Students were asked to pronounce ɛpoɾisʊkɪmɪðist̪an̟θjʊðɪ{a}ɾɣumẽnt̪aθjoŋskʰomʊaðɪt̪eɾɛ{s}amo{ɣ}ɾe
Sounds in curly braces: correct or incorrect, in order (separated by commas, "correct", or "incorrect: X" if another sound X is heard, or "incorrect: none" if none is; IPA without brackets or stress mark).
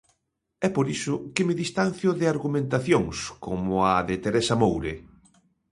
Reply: correct, correct, incorrect: w